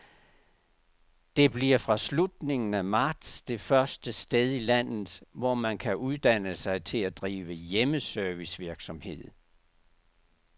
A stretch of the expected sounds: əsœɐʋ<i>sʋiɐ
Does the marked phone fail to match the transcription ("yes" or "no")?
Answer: no